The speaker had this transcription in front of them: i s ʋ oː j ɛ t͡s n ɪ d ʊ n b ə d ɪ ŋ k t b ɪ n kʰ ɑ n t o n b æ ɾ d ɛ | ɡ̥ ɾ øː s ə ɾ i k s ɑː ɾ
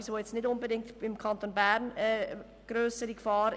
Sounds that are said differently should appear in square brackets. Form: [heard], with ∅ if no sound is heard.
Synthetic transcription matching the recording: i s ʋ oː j ɛ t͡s n ɪ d ʊ n b ə d ɪ ŋ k t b ɪ [m] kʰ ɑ n t o n b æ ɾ [n] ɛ | ɡ̥ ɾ øː s ə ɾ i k [f] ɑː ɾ